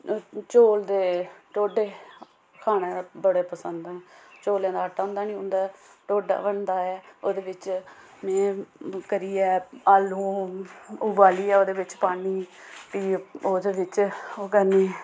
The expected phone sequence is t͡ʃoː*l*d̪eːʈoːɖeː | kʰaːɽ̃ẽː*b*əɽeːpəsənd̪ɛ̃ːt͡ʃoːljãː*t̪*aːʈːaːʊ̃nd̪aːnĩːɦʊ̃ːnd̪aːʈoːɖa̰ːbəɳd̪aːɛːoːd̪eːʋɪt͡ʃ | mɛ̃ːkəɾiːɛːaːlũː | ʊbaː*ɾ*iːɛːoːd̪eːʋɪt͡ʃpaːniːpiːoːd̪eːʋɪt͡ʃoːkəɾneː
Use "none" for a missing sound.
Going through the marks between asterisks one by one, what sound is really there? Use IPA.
l, b, d̪, l

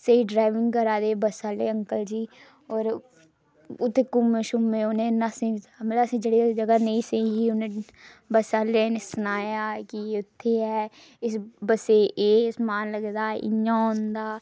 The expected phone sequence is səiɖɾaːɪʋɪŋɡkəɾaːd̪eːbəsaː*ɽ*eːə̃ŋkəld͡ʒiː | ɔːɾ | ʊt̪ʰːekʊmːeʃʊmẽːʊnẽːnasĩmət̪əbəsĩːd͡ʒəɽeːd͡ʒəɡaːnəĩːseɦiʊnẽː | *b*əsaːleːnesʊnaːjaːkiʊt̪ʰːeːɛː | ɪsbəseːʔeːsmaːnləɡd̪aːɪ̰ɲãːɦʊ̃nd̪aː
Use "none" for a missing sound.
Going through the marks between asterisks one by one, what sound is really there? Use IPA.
l, b

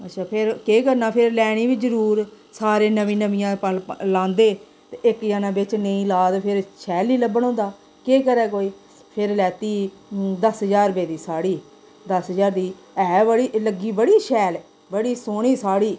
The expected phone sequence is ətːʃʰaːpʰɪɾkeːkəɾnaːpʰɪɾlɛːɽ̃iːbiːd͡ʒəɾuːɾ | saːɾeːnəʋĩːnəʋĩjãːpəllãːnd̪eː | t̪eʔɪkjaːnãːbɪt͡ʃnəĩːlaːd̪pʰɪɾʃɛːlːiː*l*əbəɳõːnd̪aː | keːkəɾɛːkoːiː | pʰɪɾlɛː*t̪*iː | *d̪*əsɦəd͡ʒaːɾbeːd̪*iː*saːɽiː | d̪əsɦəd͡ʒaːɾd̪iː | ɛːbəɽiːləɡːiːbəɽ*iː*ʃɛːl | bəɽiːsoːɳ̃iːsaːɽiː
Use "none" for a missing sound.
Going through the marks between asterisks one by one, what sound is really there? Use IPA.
l, t̪, d̪, iː, iː

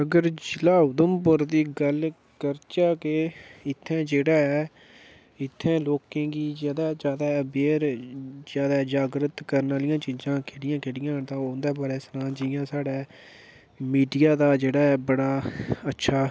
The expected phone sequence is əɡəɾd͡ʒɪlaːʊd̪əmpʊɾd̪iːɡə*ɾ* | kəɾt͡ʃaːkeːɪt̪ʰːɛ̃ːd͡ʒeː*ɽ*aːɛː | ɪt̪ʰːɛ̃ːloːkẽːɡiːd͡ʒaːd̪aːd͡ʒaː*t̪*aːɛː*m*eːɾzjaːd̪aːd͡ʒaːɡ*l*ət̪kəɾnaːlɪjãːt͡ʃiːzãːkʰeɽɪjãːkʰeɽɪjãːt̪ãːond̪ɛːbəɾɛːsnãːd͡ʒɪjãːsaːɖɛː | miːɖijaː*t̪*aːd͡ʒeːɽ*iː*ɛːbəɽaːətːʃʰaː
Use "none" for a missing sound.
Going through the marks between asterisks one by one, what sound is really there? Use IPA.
l, ɽ, d̪, b, ɾ, d̪, aː

